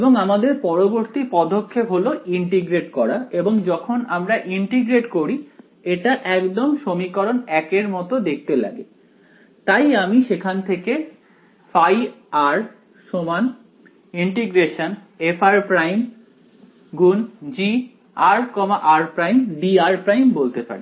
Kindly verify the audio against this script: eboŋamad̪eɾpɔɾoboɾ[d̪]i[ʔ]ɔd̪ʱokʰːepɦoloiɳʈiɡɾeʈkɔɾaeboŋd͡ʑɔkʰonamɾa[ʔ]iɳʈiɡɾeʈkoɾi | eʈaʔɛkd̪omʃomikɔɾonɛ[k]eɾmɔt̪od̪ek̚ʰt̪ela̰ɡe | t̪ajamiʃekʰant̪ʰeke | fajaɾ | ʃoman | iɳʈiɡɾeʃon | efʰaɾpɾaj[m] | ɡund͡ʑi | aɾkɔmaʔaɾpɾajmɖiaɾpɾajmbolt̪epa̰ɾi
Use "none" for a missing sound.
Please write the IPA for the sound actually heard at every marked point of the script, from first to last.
t̪, p, ʔ, k, m

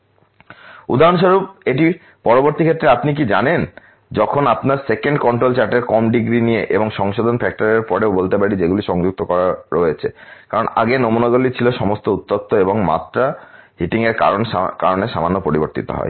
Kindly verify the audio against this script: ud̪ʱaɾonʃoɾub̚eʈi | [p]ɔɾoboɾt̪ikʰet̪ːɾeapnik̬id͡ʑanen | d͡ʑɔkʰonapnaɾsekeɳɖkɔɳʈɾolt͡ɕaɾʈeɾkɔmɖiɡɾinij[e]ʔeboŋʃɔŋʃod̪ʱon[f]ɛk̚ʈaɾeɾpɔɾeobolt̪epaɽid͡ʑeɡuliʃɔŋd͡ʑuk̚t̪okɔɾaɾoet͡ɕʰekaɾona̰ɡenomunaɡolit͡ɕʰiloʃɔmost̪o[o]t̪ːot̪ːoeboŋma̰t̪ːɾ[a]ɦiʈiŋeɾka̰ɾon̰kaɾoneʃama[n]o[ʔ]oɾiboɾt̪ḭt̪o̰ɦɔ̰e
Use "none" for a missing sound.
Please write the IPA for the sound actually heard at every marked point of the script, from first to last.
p, e, f, u, a, nː, p

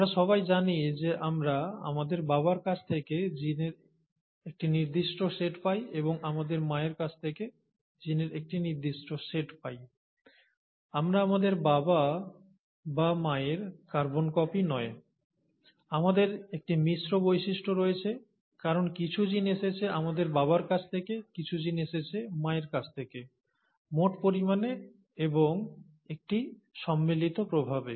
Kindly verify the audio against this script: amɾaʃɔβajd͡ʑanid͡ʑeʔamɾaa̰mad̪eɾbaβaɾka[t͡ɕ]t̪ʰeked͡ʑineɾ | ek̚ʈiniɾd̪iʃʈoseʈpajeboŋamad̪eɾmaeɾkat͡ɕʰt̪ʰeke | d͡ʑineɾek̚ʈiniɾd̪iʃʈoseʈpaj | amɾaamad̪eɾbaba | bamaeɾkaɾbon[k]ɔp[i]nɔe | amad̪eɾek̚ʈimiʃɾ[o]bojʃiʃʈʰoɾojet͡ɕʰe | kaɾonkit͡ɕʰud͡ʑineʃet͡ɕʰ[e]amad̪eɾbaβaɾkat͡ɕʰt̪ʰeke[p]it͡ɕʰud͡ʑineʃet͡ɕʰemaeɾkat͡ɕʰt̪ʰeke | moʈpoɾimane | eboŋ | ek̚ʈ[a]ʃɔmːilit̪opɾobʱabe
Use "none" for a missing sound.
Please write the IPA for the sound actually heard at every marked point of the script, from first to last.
t͡ɕʰ, k, i, o, e, k, i

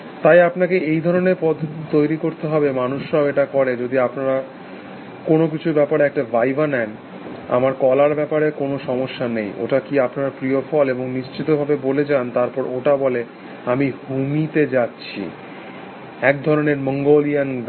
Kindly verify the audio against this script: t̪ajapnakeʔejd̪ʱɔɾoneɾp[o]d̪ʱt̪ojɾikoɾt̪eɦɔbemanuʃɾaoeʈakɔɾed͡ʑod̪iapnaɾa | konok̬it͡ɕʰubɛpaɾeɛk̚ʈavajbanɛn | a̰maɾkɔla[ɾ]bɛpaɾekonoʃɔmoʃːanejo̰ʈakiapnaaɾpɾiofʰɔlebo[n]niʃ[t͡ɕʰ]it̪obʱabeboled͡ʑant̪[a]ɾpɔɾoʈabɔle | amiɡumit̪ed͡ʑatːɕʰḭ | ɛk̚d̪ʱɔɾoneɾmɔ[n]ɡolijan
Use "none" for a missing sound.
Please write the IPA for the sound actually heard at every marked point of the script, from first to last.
ɔ, ɾ, ŋ, t͡ɕ, a, ŋ

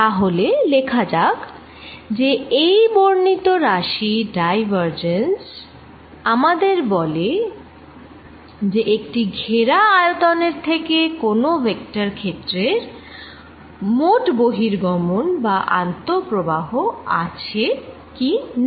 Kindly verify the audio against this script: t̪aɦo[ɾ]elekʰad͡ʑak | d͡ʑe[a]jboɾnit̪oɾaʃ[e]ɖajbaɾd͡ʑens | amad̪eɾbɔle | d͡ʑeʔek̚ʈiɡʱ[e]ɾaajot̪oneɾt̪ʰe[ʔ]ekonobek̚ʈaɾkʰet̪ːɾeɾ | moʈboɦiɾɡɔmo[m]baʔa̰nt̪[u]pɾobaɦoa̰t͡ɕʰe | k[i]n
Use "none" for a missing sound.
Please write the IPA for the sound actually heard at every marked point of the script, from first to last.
l, e, i, e, k, n, o, i

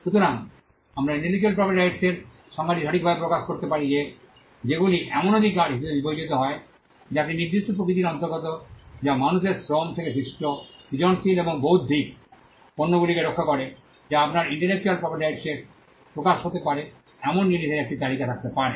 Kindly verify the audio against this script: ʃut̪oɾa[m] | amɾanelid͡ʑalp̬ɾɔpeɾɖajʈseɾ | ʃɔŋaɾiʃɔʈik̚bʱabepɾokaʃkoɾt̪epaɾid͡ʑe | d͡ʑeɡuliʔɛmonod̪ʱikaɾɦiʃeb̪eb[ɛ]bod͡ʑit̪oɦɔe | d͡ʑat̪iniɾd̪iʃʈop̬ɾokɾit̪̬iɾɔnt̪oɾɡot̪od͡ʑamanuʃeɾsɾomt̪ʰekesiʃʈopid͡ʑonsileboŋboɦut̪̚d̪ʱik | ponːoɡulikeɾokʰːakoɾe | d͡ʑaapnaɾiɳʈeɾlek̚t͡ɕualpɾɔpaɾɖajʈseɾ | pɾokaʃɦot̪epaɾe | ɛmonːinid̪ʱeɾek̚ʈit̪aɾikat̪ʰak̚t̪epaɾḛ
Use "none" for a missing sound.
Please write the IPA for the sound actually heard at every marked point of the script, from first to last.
ŋ, i

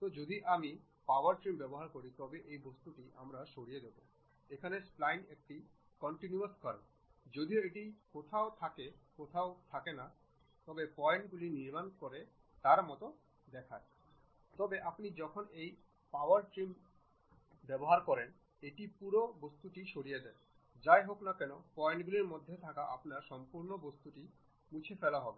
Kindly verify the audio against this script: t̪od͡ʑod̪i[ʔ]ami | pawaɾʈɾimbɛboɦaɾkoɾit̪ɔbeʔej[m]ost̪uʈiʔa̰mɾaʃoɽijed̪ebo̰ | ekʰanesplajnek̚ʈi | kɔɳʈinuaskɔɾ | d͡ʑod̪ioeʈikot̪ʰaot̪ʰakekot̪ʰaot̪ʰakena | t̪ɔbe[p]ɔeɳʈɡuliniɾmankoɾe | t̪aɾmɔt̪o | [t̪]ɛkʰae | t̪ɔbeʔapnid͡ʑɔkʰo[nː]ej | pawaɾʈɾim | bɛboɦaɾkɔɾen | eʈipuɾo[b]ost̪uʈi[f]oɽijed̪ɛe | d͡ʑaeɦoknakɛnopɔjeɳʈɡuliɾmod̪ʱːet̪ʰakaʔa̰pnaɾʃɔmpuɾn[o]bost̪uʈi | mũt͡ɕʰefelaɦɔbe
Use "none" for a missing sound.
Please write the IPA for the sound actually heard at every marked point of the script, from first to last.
ʔ, b, p, d̪, n, b, ʃ, o

